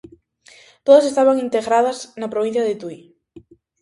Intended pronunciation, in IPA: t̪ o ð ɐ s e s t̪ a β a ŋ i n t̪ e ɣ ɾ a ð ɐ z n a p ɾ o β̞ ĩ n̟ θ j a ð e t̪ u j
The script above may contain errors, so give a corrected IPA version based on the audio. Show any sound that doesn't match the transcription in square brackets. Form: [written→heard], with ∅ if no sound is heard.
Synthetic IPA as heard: t̪ o ð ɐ s e s t̪ a β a ŋ i n t̪ e ɣ ɾ a ð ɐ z n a p ɾ o β̞ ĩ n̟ θ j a ð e t̪ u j